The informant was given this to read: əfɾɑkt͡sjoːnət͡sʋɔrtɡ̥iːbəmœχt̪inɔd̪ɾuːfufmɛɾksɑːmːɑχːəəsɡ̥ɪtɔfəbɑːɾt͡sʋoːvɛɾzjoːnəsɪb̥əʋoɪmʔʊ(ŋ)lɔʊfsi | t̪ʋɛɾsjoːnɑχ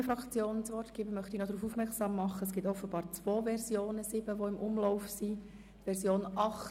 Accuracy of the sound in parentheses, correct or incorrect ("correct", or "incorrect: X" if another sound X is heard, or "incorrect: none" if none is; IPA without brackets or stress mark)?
incorrect: m